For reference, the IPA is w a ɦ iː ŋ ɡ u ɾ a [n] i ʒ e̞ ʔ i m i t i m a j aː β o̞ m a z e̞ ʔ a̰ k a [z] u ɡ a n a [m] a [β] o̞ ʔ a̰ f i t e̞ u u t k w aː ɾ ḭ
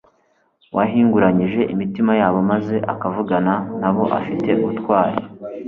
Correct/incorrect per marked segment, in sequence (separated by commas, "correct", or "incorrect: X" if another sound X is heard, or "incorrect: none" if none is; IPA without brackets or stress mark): incorrect: ɲ, incorrect: v, incorrect: n, correct